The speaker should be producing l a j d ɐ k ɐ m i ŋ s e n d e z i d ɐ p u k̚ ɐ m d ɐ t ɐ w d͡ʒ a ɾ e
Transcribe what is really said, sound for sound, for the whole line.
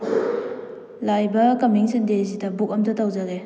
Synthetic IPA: l a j b ɐ k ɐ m i ŋ s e n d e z i d ɐ b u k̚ ɐ m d ɐ t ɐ w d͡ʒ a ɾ e